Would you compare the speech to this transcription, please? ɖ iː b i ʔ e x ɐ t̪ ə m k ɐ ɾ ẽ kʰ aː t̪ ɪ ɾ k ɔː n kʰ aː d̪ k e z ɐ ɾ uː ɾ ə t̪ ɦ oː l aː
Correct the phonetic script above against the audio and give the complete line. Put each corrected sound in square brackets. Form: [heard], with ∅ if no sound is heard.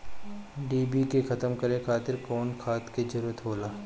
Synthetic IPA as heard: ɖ iː b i [k] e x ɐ t̪ ə m k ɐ ɾ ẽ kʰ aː t̪ ɪ ɾ k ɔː n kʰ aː [t̪] k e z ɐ ɾ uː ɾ ə t̪ ɦ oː l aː